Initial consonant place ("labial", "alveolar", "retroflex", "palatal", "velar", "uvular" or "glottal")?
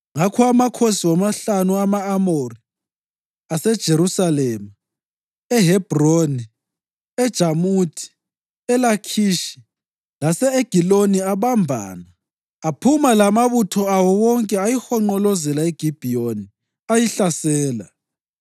velar